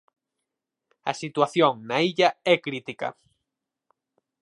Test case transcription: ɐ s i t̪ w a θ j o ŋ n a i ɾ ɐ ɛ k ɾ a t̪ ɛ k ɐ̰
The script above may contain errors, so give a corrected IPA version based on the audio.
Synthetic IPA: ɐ s i t̪ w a θ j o ŋ n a i ʎ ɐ ɛ k ɾ i t̪ i k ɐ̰